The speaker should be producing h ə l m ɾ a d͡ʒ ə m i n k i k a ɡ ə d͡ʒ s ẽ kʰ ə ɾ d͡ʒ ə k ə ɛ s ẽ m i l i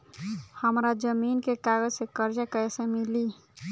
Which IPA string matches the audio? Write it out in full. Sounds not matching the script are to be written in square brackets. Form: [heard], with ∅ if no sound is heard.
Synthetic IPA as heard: h ə [∅] m ɾ a d͡ʒ ə m i n k [e] k a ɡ ə d͡ʒ s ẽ [k] ə ɾ d͡ʒ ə k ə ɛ s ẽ m i l i

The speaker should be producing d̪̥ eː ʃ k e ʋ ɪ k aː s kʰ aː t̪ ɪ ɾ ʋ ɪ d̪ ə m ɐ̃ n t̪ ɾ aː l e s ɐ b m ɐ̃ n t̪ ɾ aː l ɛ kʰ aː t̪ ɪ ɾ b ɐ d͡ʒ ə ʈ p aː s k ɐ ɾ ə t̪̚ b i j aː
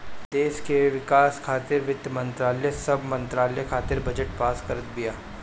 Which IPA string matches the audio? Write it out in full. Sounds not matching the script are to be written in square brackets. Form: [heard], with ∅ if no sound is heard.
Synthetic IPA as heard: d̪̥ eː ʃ k e ʋ ɪ k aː s kʰ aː t̪ ɪ ɾ ʋ ɪ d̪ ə m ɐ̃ n t̪ ɾ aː l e s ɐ b m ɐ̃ n t̪ ɾ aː l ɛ kʰ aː t̪ ɪ ɾ b ɐ d͡ʒ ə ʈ p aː s k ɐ ɾ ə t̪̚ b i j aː

